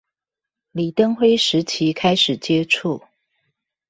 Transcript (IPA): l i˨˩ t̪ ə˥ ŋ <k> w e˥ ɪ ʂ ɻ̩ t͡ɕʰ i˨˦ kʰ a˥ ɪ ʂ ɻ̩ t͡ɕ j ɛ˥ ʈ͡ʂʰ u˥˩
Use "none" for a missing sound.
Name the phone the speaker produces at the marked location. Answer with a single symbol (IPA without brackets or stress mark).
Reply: x